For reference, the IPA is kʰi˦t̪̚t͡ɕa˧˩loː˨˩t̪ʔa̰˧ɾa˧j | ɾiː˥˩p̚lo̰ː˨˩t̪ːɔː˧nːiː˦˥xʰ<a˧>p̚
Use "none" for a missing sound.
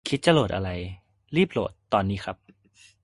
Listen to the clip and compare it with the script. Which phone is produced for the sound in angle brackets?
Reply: a˦˥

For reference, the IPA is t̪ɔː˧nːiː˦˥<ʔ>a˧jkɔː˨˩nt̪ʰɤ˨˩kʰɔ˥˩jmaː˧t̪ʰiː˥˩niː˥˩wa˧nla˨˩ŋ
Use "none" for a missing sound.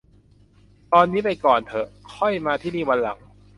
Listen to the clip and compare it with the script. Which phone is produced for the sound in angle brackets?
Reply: p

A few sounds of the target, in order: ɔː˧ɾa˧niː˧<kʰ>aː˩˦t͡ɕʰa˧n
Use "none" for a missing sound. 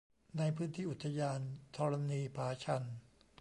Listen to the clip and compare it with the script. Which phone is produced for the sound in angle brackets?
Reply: pʰ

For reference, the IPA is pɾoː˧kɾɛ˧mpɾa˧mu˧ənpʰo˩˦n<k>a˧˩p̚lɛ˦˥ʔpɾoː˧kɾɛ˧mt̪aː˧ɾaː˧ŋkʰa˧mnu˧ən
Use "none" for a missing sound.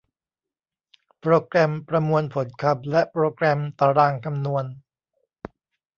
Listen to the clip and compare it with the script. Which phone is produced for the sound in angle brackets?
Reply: kʰ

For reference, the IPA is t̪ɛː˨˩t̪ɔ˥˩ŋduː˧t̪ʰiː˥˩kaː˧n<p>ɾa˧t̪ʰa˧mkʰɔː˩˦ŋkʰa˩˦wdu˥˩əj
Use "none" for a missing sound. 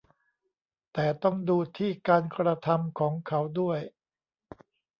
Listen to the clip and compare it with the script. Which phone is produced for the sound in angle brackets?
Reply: k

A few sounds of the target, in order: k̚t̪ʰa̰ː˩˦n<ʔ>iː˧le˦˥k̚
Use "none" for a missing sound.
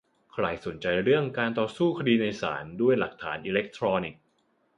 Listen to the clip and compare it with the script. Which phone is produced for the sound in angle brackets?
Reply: ʔ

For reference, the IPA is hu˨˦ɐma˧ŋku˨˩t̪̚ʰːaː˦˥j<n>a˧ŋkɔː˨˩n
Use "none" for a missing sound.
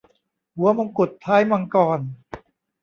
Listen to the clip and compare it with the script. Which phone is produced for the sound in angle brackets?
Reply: m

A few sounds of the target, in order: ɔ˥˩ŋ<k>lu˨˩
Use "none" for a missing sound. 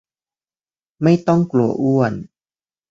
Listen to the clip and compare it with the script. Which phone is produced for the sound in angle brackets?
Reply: k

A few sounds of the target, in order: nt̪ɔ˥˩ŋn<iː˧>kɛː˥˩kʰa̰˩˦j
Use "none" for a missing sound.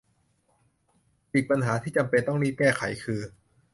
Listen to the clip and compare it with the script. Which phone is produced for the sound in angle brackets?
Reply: iː˥˩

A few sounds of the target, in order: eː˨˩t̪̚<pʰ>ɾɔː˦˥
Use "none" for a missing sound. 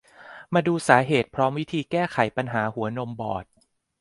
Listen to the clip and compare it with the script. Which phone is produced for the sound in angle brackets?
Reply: pʰ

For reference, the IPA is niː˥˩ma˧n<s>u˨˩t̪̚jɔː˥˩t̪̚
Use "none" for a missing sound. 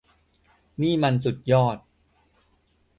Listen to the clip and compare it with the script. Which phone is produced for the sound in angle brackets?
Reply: s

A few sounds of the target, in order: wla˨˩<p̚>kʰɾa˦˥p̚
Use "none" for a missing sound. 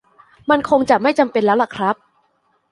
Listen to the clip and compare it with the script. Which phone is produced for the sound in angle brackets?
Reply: none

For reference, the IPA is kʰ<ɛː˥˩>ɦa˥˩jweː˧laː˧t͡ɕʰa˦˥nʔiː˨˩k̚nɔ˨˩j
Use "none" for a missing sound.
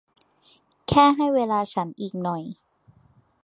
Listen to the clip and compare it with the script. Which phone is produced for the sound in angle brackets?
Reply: ɛː˥˩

